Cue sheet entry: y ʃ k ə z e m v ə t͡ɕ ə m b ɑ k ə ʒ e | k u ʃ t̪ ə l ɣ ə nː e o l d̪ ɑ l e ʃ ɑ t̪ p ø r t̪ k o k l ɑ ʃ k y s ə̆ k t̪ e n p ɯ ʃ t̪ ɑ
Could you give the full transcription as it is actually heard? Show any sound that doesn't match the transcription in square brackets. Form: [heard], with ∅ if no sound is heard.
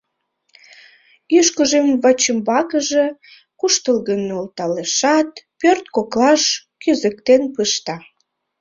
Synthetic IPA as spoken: y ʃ k ə [ʒ] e m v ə t͡ɕ ə m b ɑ k ə ʒ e | k u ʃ t̪ ə l ɣ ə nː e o l [t̪] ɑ l e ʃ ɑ t̪ p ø r t̪ k o k l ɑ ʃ k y [z] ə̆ k t̪ e n p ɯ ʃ t̪ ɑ